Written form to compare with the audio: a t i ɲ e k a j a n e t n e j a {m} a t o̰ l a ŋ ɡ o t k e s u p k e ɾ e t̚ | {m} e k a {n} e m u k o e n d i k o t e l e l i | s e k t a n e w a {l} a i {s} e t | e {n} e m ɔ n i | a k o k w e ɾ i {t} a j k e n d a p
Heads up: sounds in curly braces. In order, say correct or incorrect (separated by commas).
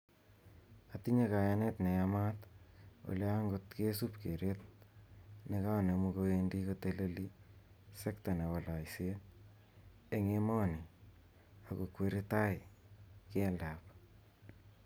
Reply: correct, incorrect, correct, correct, correct, incorrect, correct